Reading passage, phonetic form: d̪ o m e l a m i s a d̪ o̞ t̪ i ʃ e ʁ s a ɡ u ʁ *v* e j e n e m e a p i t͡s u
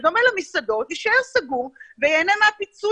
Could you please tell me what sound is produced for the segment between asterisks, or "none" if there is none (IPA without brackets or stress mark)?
v